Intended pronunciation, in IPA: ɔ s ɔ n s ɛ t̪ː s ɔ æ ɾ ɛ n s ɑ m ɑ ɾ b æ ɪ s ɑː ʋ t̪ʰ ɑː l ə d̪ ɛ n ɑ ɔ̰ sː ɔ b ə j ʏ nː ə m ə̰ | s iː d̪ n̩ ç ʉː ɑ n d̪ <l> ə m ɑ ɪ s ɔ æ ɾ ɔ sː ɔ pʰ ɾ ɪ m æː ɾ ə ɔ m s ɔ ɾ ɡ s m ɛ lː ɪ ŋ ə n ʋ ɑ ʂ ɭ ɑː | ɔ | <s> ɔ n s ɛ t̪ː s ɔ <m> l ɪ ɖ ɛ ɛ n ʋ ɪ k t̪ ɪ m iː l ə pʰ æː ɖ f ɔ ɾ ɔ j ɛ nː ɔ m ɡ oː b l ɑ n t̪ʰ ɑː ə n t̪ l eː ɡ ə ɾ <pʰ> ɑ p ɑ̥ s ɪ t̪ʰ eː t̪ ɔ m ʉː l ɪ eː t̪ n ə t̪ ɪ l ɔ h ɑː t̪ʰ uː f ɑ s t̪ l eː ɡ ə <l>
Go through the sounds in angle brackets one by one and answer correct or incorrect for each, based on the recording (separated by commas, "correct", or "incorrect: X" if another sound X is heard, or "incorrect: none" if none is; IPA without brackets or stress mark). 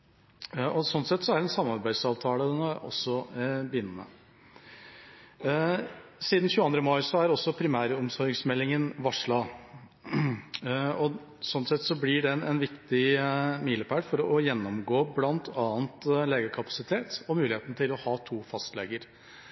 incorrect: ɾ, correct, incorrect: b, incorrect: kʰ, incorrect: ɾ